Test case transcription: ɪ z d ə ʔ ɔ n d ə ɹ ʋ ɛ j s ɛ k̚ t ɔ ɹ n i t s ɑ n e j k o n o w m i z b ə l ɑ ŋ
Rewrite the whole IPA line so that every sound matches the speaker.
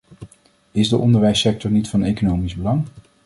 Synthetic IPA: ɪ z d ə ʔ ɔ n d ə ɹ ʋ ɛ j s ɛ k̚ t ɔ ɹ n i t f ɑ n e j k o n o w m i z b ə l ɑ ŋ